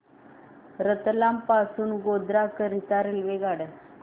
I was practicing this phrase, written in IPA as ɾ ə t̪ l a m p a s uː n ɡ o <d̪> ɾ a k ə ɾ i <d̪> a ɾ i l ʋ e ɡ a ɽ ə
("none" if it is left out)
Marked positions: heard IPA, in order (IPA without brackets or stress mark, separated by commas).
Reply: d̪, t̪